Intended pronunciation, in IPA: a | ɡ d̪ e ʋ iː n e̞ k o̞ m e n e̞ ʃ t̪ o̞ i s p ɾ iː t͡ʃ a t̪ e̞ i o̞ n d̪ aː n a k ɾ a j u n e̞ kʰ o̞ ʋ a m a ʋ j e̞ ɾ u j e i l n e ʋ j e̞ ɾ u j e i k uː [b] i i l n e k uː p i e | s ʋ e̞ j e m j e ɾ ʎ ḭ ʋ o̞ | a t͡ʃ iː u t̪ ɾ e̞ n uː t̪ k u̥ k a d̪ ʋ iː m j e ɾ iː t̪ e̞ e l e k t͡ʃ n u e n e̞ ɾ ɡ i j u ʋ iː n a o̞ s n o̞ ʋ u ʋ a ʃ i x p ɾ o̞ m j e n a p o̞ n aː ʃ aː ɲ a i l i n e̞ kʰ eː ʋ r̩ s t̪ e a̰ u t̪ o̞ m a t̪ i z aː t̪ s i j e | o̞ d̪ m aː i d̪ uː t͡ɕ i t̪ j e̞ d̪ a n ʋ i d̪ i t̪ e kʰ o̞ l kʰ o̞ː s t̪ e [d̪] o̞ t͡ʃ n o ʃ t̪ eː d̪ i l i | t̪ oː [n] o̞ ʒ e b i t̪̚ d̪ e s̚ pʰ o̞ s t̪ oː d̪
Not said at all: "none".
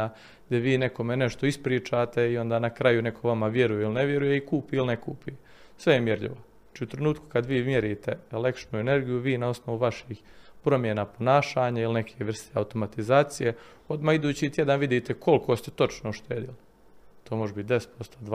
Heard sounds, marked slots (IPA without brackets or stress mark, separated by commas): p, t̪, m